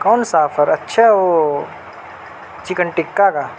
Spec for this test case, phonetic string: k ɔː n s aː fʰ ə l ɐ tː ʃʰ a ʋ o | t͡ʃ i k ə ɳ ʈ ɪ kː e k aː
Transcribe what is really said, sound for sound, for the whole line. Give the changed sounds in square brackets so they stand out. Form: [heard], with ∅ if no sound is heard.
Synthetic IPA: k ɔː n s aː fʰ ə [ɾ] ɐ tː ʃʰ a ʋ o | t͡ʃ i k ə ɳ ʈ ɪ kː [a] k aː